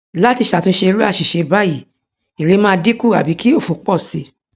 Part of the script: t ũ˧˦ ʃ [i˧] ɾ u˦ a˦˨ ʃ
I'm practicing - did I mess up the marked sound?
yes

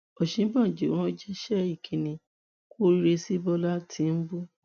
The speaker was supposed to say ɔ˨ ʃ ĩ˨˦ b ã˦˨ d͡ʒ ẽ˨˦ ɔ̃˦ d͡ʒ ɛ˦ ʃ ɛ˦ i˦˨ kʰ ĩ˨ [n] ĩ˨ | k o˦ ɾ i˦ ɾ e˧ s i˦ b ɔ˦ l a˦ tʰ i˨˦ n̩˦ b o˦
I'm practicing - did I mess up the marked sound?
no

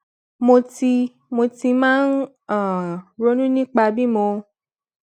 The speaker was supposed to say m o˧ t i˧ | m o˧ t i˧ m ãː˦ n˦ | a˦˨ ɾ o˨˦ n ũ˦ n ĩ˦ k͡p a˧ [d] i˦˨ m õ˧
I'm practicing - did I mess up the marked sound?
yes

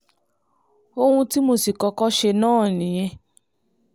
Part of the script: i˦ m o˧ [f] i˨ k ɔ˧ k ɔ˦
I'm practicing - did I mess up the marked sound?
yes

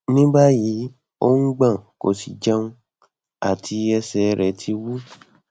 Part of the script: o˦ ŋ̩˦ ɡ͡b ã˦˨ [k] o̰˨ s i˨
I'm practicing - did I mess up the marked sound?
no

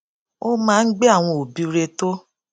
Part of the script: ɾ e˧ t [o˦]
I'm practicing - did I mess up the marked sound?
no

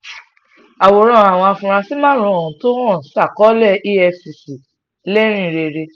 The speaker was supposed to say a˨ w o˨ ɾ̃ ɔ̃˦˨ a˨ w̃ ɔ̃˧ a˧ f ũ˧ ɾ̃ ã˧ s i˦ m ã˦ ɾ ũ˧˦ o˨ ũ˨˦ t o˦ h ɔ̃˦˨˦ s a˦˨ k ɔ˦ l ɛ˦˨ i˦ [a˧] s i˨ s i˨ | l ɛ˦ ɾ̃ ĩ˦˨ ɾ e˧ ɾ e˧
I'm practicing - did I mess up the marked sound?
yes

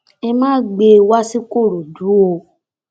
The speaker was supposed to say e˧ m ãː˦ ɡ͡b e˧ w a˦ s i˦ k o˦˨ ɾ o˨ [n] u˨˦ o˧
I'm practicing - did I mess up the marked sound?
yes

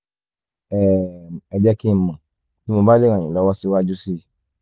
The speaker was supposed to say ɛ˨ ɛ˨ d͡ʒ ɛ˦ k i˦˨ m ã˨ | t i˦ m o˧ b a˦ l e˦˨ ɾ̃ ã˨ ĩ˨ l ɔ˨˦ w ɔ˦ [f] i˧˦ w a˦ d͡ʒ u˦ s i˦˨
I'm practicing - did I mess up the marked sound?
yes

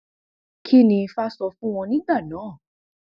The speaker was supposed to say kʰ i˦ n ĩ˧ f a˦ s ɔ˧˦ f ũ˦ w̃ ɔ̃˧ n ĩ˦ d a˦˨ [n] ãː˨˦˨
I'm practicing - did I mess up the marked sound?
no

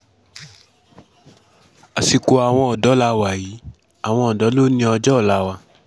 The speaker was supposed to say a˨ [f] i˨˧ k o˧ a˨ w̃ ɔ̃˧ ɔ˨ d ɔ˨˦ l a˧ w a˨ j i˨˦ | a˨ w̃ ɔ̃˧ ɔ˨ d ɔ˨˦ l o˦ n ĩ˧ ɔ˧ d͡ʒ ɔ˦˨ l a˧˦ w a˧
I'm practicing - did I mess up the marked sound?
yes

